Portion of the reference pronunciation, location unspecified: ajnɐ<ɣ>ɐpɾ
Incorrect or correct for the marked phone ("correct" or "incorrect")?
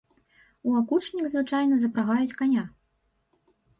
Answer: incorrect